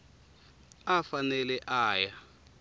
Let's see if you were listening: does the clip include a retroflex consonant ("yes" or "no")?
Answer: no